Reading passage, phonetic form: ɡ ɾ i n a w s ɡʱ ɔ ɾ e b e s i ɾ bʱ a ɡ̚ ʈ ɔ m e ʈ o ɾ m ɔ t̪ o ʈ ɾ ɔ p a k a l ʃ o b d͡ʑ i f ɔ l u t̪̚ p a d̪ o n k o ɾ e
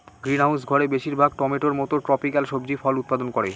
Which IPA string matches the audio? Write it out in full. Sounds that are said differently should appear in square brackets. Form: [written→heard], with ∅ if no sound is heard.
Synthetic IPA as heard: ɡ ɾ i n a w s ɡʱ ɔ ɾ e b e [s→ʃ] i ɾ bʱ a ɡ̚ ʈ ɔ m e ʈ o ɾ m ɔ t̪ o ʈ ɾ ɔ p [a→i] k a l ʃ o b d͡ʑ i f ɔ l u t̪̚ p a d̪ o n k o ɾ e